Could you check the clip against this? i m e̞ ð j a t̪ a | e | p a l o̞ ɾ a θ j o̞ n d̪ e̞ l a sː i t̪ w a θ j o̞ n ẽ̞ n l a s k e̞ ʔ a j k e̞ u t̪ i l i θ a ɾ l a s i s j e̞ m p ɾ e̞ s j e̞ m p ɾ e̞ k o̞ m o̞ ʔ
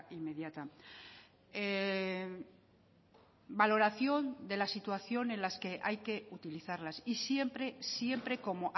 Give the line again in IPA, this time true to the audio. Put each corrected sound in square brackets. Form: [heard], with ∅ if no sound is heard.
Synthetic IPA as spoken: i m e̞ ð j a t̪ a | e | [b] a l o̞ ɾ a θ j o̞ n d̪ e̞ l a [s] i t̪ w a θ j o̞ n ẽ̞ n l a s k e̞ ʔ a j k e̞ u t̪ i l i θ a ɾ l a s i s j e̞ m p ɾ e̞ s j e̞ m p ɾ e̞ k o̞ m o̞ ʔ

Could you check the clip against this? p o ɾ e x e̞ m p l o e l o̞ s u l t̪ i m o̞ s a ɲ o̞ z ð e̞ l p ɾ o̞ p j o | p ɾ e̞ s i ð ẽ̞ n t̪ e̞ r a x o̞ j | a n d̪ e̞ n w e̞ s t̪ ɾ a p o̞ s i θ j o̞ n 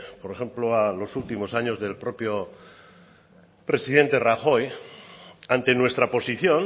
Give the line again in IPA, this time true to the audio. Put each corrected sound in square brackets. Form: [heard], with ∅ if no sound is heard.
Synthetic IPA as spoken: p o ɾ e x e̞ m p l o [a] l o̞ s u l t̪ i m o̞ s a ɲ o̞ z ð e̞ l p ɾ o̞ p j o | p ɾ e̞ s i ð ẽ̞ n t̪ e̞ r a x o̞ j | a n [t̪] e̞ n w e̞ s t̪ ɾ a p o̞ s i θ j o̞ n

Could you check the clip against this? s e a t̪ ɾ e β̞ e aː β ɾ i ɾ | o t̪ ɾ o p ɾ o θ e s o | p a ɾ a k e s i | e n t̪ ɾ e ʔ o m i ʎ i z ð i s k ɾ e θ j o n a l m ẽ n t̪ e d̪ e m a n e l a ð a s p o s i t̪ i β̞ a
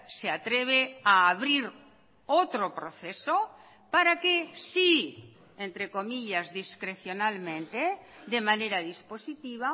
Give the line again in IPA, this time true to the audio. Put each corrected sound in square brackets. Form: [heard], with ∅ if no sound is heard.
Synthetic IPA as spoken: s e a t̪ ɾ e β̞ e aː β ɾ i ɾ | o t̪ ɾ o p ɾ o θ e s o | p a ɾ a k e s i | e n t̪ ɾ e [k] o m i ʎ [a] z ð i s k ɾ e θ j o n a l m ẽ n t̪ e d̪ e m a n e [ɾ] a ð [i] s p o s i t̪ i β̞ a

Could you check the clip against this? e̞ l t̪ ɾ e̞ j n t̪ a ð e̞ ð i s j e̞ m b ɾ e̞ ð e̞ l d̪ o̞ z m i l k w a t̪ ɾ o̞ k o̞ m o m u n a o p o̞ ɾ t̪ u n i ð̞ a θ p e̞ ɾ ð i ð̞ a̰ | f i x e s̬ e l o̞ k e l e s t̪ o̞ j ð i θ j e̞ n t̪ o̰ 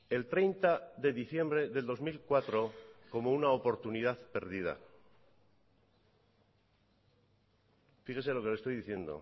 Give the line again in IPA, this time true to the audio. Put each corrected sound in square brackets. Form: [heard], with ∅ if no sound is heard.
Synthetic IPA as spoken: e̞ l t̪ ɾ e̞ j n t̪ a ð e̞ ð i [θ] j e̞ m b ɾ e̞ ð e̞ l d̪ o̞ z m i l k w a t̪ ɾ o̞ k o̞ m o [∅] u n a o p o̞ ɾ t̪ u n i ð̞ a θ p e̞ ɾ ð i ð̞ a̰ | f i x e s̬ e l o̞ k e l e s t̪ o̞ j ð i θ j e̞ n [d̪] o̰

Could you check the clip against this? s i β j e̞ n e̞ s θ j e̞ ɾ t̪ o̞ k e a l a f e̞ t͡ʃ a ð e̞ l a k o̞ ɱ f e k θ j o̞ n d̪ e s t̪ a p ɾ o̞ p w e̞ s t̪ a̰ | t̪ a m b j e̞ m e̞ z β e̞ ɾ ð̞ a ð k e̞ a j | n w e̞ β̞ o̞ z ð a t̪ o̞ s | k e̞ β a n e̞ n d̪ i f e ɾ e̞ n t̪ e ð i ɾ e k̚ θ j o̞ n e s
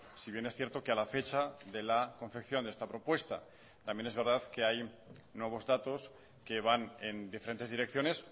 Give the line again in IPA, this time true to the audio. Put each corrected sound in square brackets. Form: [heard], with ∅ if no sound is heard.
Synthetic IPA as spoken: s i β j e̞ n e̞ s θ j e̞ ɾ t̪ o̞ k e a l a f e̞ t͡ʃ a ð e̞ l a k o̞ ɱ f e k θ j o̞ n d̪ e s t̪ a p ɾ o̞ p w e̞ s t̪ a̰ | t̪ a m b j e̞ [n] e̞ z β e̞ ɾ ð̞ a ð k e̞ a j | n w e̞ β̞ o̞ z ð a t̪ o̞ s | k e̞ β a n e̞ n d̪ i f e ɾ e̞ n t̪ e ð i ɾ e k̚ θ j o̞ n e s

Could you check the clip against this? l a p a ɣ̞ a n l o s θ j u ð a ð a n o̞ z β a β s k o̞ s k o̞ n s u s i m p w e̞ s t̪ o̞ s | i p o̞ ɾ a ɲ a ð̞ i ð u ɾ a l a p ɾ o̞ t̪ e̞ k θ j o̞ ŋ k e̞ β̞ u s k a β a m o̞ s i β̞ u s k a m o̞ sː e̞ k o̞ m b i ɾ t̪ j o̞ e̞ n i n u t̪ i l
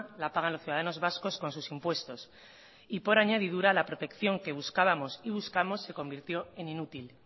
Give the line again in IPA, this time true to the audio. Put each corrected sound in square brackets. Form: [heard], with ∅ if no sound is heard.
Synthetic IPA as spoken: l a p a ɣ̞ a n l o s θ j u ð a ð a n o̞ z β a [∅] s k o̞ s k o̞ n s u s i m p w e̞ s t̪ o̞ s | i p o̞ ɾ a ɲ a ð̞ i ð u ɾ a l a p ɾ o̞ t̪ e̞ k θ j o̞ ŋ k e̞ β̞ u s k a β a m o̞ s i β̞ u s k a m o̞ sː e̞ k o̞ m b i ɾ t̪ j o̞ e̞ n i n u t̪ i l

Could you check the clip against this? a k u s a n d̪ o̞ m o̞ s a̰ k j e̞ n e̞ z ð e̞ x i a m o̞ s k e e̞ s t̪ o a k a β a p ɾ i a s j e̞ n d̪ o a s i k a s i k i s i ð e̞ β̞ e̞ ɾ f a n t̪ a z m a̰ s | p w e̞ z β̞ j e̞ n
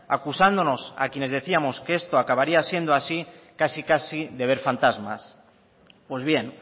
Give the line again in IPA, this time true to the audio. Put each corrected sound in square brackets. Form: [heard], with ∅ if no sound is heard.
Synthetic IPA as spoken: a k u s a n d̪ o̞ [n] o̞ s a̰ k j e̞ n e̞ z ð e̞ [θ] i a m o̞ s k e e̞ s t̪ o a k a β a [∅] ɾ i a s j e̞ n d̪ o a s i k a s i k [a] s i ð e̞ β̞ e̞ ɾ f a n t̪ a z m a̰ s | p w e̞ z β̞ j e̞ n

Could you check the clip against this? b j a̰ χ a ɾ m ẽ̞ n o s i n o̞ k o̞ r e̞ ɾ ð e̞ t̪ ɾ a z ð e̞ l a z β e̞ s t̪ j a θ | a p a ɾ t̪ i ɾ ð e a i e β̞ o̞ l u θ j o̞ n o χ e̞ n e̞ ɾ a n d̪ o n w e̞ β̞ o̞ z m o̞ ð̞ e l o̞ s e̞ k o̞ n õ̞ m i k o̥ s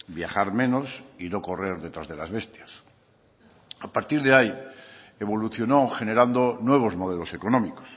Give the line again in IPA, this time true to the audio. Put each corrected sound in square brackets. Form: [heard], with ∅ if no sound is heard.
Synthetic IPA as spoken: b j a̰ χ a ɾ m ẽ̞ n o s i n o̞ k o̞ r e̞ ɾ ð e̞ t̪ ɾ a z ð e̞ l a z β e̞ s t̪ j a [s] | a p a ɾ t̪ i ɾ ð e a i e β̞ o̞ l u θ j o̞ n o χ e̞ n e̞ ɾ a n d̪ o n w e̞ β̞ o̞ z m o̞ ð̞ e l o̞ s e̞ k o̞ n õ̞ m i k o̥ s

